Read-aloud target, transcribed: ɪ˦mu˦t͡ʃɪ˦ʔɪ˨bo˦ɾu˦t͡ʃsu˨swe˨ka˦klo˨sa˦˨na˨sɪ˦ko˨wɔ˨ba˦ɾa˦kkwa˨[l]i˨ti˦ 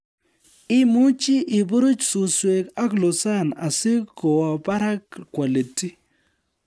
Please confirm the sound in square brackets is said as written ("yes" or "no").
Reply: yes